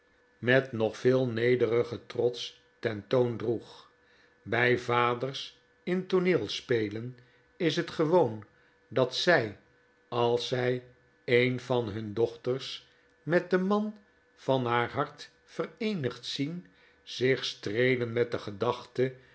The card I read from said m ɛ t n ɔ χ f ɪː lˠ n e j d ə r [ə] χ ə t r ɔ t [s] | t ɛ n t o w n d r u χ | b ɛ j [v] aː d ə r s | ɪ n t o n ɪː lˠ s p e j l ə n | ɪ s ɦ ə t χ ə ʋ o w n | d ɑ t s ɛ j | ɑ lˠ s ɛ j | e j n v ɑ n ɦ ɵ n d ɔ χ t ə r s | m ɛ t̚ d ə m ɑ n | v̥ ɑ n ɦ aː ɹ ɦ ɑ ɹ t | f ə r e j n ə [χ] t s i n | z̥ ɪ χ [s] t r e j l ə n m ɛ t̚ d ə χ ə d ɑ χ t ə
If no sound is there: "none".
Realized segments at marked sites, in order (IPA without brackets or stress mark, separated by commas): ə, s, v, χ, s